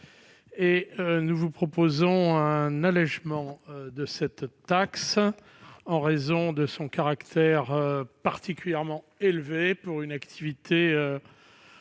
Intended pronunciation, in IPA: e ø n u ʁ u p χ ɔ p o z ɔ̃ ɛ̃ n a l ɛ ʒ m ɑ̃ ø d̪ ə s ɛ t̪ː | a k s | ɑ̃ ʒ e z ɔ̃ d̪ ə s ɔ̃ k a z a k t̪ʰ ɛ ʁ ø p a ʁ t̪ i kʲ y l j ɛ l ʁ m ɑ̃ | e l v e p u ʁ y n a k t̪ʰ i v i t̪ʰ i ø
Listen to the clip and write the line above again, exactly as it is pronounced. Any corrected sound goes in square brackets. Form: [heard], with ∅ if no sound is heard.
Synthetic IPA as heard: e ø n u [v] u p χ ɔ p o z ɔ̃ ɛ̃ n a l ɛ ʒ m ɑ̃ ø d̪ ə s ɛ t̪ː | a k s | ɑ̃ [ʁ] e z ɔ̃ d̪ ə s ɔ̃ k a [ʁ] a k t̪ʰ ɛ ʁ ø p a ʁ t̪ i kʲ y l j ɛ [∅] ʁ m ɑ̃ | e l v e p u ʁ y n a k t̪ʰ i v i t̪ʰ [e] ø